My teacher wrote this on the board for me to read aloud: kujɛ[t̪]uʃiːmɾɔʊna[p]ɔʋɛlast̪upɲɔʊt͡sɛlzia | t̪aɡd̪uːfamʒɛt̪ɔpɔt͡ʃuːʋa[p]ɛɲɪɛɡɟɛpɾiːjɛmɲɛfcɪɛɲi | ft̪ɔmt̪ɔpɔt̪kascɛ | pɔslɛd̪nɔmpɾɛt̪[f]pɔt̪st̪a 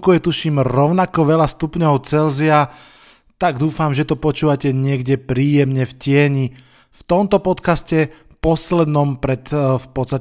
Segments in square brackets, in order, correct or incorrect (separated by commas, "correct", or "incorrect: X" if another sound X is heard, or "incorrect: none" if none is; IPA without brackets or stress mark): correct, incorrect: k, incorrect: c, correct